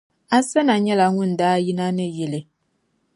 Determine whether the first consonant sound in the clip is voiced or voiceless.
voiceless